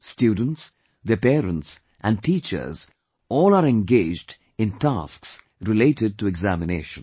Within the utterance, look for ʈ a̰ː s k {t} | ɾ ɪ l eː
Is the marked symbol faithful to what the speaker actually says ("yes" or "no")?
no